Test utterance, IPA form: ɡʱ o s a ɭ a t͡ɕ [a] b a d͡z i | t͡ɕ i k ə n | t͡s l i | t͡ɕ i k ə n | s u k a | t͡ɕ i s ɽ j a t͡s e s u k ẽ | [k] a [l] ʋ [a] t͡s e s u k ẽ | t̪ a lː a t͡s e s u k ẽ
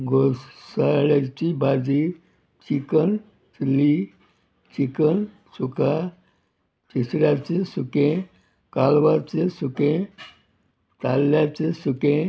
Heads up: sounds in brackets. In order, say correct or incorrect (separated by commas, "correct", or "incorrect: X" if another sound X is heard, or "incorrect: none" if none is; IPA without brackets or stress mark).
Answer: incorrect: i, correct, correct, correct